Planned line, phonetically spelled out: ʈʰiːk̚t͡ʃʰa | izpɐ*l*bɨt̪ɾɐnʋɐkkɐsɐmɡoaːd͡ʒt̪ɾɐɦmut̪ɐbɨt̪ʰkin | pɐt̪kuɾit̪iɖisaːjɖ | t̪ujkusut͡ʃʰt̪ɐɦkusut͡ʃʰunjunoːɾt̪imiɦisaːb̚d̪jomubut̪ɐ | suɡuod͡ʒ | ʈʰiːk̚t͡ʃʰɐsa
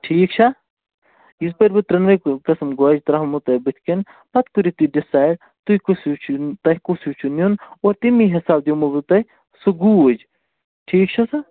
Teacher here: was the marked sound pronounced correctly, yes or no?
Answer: no